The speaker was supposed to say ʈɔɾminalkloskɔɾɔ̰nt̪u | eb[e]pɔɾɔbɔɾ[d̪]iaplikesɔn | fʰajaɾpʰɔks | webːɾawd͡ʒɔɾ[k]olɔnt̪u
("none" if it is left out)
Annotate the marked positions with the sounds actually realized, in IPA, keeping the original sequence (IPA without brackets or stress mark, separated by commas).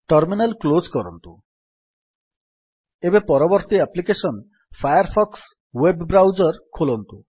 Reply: e, t̪, kʰ